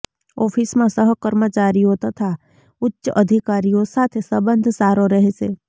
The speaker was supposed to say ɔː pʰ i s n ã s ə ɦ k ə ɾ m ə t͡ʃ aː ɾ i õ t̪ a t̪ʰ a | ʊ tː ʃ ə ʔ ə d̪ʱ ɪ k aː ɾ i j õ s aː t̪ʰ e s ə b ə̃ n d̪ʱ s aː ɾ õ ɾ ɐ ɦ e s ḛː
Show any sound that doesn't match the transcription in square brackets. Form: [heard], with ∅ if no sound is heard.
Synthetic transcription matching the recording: ɔː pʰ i s [m] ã s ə ɦ k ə ɾ m ə t͡ʃ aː ɾ i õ t̪ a t̪ʰ a | ʊ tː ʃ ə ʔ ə d̪ʱ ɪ k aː ɾ i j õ s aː t̪ʰ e s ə b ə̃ n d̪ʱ s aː ɾ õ ɾ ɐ ɦ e s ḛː